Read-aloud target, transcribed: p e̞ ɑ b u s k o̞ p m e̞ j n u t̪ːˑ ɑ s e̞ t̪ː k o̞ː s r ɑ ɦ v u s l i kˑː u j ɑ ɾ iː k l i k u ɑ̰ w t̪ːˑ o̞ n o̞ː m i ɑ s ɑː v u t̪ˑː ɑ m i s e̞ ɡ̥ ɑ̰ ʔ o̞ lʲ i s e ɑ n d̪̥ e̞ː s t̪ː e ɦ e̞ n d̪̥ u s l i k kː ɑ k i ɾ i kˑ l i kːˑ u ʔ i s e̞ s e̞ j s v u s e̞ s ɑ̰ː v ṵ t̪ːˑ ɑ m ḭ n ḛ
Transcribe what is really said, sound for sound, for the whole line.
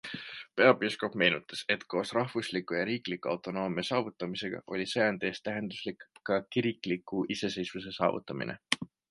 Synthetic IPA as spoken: p e̞ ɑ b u s k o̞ p m e̞ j n u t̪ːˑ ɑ s e̞ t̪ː k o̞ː s r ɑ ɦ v u s l i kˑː u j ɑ ɾ iː k l i k u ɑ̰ w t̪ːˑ o̞ n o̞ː m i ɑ s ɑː v u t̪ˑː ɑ m i s e̞ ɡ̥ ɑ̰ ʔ o̞ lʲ i s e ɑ n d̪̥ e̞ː s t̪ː æ ɦ e̞ n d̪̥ u s l i k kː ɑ k i ɾ i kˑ l i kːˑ u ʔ i s e̞ s e̞ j s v u s e̞ s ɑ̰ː v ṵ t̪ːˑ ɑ m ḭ n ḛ